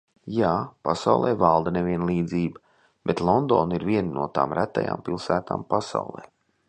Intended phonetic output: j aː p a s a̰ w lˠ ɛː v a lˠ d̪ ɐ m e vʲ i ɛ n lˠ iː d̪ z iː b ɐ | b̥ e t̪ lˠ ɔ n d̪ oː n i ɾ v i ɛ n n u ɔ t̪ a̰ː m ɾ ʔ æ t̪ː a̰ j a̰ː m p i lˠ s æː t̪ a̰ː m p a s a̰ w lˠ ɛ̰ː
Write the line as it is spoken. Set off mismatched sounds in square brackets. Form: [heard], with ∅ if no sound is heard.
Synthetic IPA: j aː p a s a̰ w lˠ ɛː v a lˠ d̪ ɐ [n] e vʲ i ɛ n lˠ iː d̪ z iː b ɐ | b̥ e t̪ lˠ ɔ n d̪ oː n i ɾ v i ɛ n n u ɔ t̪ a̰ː m ɾ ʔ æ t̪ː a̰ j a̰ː m p i lˠ s æː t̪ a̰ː m p a s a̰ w lˠ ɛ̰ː